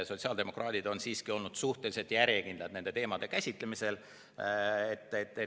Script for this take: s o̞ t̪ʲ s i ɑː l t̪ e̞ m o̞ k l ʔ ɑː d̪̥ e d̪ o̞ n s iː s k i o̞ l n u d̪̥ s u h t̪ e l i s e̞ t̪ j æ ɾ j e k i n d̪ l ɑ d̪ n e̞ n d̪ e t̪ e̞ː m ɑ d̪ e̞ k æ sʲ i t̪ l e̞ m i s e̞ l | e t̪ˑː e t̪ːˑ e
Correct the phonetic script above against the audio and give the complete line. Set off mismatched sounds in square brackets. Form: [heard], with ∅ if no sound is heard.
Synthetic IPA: s o̞ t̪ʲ s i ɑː l [d̪] e̞ m o̞ k [r] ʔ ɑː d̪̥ [i] d̪ o̞ n s iː s k i o̞ l n u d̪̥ s u h t̪ e l i s e̞ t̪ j æ ɾ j e k i n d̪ l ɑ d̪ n e̞ n d̪ e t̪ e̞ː m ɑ d̪ e̞ k æ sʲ i t̪ l e̞ m i s e̞ l | e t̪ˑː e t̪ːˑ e